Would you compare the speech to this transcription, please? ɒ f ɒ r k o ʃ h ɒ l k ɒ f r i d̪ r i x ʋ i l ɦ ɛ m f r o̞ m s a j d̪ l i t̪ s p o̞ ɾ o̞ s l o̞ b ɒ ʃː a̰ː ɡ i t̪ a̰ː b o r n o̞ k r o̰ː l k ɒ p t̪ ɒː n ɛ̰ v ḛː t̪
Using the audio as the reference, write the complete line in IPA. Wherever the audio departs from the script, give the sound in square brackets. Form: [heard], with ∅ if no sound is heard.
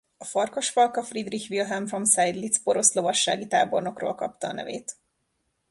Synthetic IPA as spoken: ɒ f ɒ r k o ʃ [f] ɒ l k ɒ f r i d̪ r i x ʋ i l ɦ ɛ m f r o̞ m s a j d̪ l i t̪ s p o̞ ɾ o̞ s l o̞ [v] ɒ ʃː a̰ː ɡ i t̪ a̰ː b o r n o̞ k r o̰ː l k ɒ p t̪ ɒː n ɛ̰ v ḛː t̪